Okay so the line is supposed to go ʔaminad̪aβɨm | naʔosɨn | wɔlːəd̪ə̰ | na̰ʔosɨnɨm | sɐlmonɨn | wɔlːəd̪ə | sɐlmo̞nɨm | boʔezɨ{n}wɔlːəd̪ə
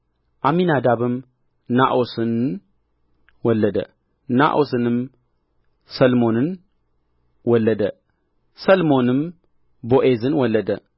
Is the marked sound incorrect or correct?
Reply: correct